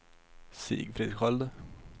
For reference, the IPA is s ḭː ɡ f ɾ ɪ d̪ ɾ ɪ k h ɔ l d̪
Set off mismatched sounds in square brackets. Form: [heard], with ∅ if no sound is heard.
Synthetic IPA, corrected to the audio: s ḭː ɡ f ɾ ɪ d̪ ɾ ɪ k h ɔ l d̪